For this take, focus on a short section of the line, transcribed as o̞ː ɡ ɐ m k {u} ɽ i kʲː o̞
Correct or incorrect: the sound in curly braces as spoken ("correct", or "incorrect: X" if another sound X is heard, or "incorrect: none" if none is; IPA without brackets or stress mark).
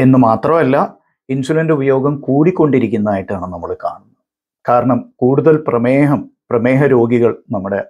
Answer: incorrect: uː